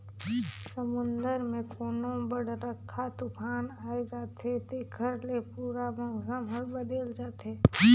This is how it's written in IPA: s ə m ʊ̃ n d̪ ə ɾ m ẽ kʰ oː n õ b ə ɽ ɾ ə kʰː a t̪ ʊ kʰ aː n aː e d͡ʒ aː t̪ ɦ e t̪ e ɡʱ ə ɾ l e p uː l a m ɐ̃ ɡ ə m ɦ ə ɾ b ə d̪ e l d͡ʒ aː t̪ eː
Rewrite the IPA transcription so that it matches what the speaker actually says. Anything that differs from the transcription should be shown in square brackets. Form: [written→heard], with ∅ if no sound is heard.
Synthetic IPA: s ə m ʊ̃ n d̪ ə ɾ m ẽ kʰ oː n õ b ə ɽ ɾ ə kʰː a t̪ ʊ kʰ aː n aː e d͡ʒ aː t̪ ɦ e t̪ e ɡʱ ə ɾ l e p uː [l→ɾ] a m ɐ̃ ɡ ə m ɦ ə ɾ b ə d̪ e l d͡ʒ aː t̪ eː